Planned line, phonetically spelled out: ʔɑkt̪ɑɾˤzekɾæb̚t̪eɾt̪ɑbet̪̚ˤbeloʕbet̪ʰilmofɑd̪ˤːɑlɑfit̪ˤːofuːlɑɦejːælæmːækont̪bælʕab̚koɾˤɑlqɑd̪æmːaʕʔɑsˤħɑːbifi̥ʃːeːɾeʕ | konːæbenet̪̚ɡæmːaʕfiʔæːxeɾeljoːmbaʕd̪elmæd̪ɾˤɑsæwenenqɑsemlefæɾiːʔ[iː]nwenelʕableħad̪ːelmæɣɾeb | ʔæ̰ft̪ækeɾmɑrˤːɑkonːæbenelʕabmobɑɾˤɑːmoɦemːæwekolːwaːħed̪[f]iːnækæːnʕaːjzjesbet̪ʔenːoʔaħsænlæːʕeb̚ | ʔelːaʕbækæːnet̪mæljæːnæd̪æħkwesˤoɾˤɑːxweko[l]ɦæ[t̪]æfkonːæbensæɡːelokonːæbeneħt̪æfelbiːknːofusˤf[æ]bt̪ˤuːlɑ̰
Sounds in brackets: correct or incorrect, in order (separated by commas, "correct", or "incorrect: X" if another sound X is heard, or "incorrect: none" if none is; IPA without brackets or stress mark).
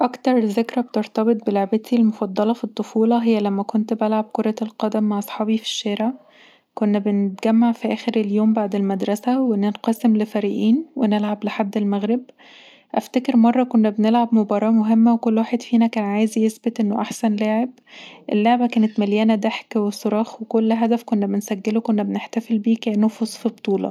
correct, correct, incorrect: lː, incorrect: d̪, incorrect: i